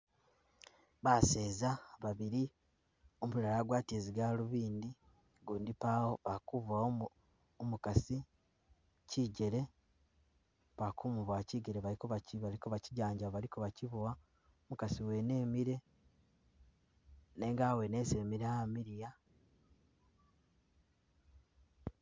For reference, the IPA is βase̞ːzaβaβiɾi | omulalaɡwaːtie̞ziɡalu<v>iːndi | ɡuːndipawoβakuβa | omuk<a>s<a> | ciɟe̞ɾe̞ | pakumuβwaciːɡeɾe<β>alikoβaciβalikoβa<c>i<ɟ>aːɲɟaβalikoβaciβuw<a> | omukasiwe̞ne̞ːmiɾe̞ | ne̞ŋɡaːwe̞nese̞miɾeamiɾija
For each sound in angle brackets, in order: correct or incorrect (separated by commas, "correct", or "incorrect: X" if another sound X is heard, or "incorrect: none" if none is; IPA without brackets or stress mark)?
incorrect: β, correct, incorrect: i, correct, correct, correct, correct